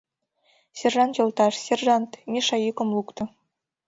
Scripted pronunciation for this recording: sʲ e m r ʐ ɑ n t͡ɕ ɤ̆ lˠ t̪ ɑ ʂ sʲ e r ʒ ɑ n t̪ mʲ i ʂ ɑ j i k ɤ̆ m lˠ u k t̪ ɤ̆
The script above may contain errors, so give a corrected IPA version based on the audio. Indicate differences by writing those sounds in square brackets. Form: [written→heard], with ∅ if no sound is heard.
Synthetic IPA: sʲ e [m→∅] r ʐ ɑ n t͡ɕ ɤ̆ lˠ t̪ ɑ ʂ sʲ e r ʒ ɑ n t̪ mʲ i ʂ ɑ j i k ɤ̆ m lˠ u k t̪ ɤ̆